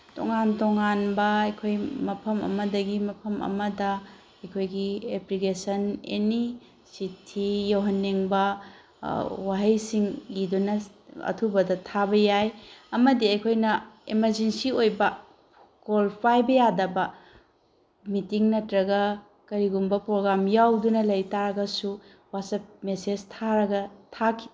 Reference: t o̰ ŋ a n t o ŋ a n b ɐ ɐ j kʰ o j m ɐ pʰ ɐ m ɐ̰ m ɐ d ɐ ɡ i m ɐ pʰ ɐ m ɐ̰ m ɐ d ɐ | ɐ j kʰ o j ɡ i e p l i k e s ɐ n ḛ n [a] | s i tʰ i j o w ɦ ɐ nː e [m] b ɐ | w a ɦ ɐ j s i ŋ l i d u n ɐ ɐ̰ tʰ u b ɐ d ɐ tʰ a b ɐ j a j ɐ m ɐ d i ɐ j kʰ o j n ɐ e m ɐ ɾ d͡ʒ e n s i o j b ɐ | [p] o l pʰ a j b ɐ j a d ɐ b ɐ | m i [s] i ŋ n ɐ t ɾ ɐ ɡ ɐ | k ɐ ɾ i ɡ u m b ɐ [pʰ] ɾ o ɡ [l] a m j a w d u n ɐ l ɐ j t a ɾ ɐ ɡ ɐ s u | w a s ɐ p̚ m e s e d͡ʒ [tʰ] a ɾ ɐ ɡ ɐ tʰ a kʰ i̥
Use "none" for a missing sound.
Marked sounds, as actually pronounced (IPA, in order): i, ŋ, k, t, p, ɾ, tʰ

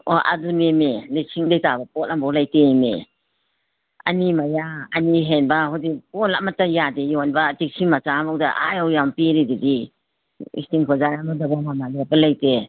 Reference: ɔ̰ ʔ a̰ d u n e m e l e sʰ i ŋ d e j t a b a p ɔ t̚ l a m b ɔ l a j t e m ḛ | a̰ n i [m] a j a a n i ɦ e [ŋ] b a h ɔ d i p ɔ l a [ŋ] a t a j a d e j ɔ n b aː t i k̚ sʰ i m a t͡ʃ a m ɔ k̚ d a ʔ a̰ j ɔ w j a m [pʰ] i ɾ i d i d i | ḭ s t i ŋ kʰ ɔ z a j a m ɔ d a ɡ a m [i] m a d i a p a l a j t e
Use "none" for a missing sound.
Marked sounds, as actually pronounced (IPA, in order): m, n, m, p, a

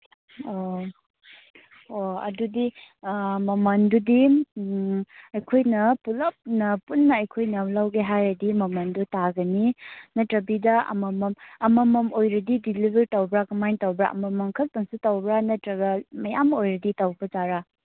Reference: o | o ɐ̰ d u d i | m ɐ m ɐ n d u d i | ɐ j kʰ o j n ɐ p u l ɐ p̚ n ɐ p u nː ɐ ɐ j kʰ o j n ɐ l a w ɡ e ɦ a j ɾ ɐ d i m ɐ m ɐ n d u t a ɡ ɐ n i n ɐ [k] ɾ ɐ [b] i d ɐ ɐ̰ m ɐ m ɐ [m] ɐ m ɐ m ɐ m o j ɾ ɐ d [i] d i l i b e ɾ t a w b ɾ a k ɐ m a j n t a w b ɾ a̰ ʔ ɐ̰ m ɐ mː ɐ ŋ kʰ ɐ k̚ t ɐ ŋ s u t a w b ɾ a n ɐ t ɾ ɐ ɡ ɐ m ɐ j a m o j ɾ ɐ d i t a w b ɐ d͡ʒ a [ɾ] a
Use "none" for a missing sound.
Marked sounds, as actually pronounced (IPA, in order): t, b, m, i, ɾ

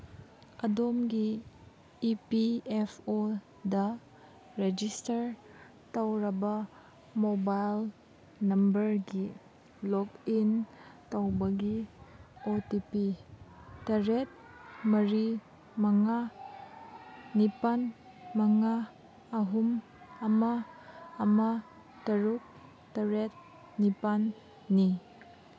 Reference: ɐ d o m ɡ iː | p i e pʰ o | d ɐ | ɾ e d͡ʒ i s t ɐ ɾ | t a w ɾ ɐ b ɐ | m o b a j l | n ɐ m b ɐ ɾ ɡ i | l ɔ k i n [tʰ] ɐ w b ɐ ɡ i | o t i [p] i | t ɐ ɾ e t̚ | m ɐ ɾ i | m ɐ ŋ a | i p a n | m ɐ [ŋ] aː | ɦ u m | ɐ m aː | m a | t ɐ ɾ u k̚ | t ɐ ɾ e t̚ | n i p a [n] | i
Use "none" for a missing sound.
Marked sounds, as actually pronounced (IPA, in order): t, p, ŋ, nː

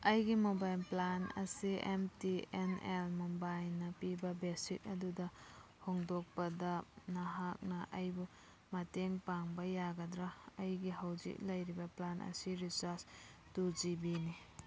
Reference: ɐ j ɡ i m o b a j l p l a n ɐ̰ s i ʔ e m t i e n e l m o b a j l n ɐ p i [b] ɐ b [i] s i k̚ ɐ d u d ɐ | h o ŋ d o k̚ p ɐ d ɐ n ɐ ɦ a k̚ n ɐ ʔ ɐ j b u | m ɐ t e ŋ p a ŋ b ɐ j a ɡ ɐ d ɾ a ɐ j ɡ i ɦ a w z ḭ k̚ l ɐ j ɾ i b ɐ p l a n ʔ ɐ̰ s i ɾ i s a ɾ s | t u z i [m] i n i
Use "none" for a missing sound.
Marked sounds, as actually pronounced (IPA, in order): b, e, b

